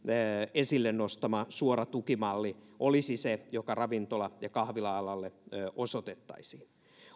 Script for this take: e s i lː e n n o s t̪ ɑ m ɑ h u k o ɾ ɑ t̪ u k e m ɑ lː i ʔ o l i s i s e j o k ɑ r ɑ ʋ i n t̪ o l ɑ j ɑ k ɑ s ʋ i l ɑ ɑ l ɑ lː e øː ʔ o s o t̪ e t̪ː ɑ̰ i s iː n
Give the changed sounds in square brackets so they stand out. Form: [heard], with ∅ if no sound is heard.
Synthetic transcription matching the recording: e s i lː e n n o s t̪ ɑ m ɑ [s] u [∅] o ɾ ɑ t̪ u k [i] m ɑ lː i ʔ o l i s i s e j o k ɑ r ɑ ʋ i n t̪ o l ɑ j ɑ k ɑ [h] ʋ i l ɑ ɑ l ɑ lː e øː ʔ o s o t̪ e t̪ː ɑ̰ i s iː n